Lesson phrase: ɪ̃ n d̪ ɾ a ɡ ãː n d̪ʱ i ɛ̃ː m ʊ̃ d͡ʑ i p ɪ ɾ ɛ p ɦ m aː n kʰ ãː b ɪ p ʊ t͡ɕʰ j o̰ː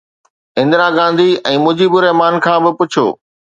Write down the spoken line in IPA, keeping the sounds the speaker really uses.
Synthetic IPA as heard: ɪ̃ n d̪ ɾ a ɡ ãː n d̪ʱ i ɛ̃ː m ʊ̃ d͡ʑ i b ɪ ɾ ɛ ɦ m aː n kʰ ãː b ɪ p ʊ t͡ɕʰ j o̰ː